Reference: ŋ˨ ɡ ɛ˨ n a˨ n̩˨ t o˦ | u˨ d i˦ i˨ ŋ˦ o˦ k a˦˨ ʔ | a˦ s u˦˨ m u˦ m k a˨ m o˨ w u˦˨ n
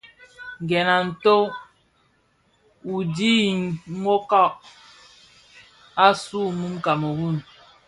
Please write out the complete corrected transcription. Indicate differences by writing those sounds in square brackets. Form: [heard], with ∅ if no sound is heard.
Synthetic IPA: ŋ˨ ɡ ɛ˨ n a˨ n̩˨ t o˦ | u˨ d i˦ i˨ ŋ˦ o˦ k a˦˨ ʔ | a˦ s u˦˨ m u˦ m k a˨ m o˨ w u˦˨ n